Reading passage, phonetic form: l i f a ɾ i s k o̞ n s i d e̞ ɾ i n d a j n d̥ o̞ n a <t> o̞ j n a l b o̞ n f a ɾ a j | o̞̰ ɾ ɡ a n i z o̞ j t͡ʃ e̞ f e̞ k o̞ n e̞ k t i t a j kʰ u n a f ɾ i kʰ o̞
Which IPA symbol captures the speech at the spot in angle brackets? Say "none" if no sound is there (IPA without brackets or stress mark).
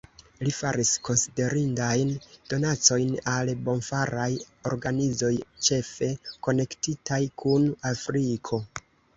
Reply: t͡s